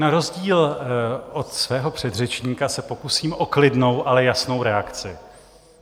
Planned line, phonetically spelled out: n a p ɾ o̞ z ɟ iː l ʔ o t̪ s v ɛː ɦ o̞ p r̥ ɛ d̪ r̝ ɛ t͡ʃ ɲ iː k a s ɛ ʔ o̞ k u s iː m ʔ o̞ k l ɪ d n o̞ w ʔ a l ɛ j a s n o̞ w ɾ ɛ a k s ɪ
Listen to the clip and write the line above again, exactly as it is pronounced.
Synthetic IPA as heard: n a ɾ o̞ z ɟ iː l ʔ o t̪ s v ɛː ɦ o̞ p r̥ ɛ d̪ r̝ ɛ t͡ʃ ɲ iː k a s ɛ p o̞ k u s iː m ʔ o̞ k l ɪ d n o̞ w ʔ a l ɛ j a s n o̞ w ɾ ɛ a k t͡s ɪ